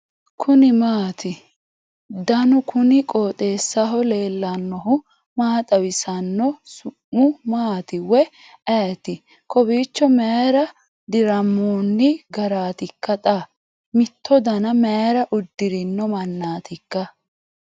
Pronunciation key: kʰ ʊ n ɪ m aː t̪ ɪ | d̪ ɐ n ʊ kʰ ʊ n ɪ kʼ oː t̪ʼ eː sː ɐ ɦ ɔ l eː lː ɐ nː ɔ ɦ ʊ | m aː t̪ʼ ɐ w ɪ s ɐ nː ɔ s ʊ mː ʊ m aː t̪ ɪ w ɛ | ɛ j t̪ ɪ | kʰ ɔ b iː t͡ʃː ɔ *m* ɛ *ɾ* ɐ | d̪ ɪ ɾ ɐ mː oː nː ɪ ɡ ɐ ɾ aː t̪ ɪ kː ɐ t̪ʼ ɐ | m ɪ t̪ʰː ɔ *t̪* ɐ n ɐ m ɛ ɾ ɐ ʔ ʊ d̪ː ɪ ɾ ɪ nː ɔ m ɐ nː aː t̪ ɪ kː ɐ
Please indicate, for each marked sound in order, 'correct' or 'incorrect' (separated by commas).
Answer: correct, correct, incorrect